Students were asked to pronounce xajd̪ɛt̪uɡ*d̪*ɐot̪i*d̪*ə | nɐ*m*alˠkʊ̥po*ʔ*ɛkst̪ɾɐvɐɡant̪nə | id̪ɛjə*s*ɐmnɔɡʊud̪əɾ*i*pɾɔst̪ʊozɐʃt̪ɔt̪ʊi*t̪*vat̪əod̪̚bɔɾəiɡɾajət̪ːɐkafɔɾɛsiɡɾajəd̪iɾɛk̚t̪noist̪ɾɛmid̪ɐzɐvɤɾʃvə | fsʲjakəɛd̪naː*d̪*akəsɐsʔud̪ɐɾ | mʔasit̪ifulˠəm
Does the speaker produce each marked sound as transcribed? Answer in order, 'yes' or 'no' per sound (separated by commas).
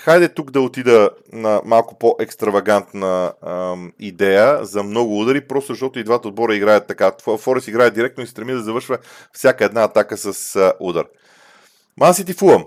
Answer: yes, yes, yes, yes, no, yes, no, no